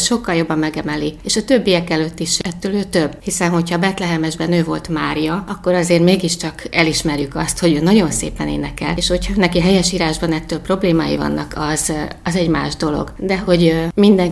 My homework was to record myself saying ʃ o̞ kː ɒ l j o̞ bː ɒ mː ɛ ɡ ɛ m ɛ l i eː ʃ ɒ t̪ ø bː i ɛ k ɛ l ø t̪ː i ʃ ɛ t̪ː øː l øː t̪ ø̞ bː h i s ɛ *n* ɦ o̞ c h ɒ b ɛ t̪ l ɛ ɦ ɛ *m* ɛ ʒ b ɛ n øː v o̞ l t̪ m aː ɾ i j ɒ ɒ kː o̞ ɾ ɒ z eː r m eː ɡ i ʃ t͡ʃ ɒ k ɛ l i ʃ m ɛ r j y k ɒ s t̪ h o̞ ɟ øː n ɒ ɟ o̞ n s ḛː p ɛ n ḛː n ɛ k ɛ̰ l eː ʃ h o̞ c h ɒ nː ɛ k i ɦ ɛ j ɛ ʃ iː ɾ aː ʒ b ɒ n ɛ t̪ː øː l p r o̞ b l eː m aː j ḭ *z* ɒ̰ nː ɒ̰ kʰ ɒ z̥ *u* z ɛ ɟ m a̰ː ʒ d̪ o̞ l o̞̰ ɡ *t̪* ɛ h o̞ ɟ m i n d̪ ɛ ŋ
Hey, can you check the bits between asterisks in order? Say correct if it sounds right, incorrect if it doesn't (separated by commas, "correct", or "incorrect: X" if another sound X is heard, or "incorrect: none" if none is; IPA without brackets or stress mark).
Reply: correct, correct, incorrect: v, incorrect: ɒ, incorrect: d̪